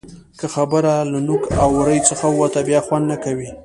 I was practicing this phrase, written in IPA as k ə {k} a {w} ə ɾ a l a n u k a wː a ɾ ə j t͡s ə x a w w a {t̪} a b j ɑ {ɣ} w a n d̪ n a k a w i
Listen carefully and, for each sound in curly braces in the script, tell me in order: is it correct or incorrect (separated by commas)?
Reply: incorrect, incorrect, correct, incorrect